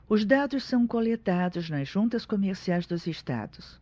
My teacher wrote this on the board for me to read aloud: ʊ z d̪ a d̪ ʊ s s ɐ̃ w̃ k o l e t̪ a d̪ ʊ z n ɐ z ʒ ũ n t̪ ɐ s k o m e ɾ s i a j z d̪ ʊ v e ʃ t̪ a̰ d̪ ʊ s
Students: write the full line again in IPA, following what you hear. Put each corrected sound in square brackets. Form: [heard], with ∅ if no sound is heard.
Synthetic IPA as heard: ʊ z d̪ a d̪ ʊ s s ɐ̃ w̃ k o l e t̪ a d̪ ʊ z n ɐ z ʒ ũ n t̪ ɐ s k o m e ɾ s i a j z d̪ ʊ [z] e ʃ t̪ a̰ d̪ ʊ s